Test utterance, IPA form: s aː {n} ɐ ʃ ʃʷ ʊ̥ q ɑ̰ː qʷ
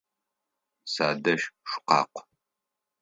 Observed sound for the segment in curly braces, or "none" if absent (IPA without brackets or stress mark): d